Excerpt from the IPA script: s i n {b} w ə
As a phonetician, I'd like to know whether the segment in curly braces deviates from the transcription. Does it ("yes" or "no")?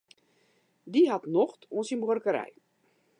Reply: no